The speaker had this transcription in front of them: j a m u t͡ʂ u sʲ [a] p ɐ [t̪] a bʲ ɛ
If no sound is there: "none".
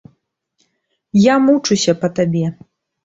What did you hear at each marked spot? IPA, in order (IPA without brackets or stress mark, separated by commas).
ɐ, t̪